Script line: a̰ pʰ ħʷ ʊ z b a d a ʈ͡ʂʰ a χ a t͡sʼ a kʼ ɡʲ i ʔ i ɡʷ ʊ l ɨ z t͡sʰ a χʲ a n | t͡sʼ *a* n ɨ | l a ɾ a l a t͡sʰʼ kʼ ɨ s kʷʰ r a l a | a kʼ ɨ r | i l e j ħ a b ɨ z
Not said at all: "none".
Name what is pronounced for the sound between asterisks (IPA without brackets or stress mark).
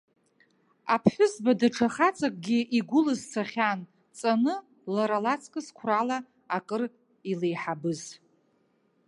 a